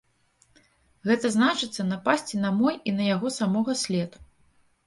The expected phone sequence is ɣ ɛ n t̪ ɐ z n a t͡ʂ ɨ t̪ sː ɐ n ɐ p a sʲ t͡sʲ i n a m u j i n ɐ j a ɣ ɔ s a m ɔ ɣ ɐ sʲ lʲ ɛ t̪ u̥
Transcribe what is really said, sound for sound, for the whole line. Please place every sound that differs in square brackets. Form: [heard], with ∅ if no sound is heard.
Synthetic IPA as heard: ɣ ɛ [∅] t̪ ɐ z n a t͡ʂ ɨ t̪ sː ɐ n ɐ p a sʲ t͡sʲ i n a m [ɔ] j i n ɐ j a ɣ ɔ s a m ɔ ɣ ɐ sʲ lʲ ɛ t̪ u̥